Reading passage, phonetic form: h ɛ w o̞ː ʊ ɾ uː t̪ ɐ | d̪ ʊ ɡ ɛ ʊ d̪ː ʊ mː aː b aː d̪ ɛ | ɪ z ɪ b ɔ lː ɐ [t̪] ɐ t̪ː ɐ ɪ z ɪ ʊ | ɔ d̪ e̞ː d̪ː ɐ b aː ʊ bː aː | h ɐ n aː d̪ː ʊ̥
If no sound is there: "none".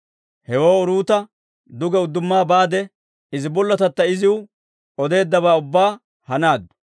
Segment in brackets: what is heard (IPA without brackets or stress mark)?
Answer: t̪